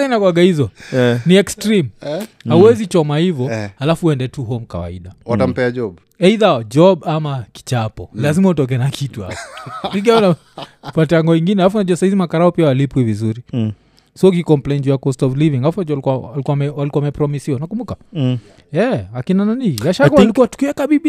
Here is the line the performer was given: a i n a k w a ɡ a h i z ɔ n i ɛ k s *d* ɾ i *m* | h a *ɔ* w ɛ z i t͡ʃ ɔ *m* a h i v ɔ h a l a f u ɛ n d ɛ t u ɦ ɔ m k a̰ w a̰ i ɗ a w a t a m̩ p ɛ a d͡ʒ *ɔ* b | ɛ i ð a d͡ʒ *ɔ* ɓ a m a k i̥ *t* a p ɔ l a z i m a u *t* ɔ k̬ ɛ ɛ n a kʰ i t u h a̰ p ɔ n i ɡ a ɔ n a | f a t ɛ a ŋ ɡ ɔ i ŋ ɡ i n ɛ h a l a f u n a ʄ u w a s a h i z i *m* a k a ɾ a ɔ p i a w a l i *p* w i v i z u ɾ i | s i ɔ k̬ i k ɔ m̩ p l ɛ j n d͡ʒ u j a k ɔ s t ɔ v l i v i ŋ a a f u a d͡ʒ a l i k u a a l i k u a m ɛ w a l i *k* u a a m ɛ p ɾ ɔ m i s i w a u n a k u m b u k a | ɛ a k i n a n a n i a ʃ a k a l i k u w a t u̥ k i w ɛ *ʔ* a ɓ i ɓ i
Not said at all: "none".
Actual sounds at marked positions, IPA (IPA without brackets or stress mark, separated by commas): t, m, u, m, ɔ, ɔ, t͡ʃ, t, m, p, k, k